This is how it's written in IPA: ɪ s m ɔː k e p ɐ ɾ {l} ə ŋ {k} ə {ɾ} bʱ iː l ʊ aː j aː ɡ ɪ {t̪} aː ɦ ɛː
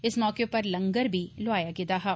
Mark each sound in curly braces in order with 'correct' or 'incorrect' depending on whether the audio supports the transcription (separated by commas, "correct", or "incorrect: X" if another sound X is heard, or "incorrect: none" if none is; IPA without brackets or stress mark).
correct, incorrect: ɡ, correct, incorrect: d̪